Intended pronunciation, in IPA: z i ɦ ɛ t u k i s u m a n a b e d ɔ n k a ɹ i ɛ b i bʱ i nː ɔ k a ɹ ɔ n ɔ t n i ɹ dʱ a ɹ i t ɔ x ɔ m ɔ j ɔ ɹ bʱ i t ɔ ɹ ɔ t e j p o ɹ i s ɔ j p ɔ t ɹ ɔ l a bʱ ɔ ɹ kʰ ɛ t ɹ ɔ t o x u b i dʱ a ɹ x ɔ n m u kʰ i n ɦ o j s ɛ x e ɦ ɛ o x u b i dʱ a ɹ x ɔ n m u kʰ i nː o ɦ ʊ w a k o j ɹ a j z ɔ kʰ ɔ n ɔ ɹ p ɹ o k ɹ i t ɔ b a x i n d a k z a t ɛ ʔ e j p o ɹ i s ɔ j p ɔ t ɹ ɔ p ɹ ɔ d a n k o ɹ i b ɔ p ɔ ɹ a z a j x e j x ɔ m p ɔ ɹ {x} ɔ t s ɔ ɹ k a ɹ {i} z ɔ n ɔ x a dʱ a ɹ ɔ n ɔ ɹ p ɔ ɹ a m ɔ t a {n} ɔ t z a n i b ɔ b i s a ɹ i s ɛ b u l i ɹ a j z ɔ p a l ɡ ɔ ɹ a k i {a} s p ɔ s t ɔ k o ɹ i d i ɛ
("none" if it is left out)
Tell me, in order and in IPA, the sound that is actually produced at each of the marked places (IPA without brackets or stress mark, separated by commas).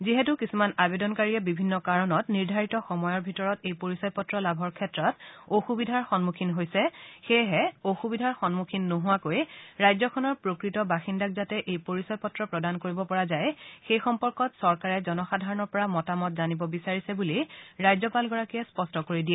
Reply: k, ɛ, m, ɛ